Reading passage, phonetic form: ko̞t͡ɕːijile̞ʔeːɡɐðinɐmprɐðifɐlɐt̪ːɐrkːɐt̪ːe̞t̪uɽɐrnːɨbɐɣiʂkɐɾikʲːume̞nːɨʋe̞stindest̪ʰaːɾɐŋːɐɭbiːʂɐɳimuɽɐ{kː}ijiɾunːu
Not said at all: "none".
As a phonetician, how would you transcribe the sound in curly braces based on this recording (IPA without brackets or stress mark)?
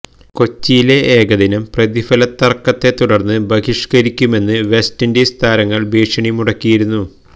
kː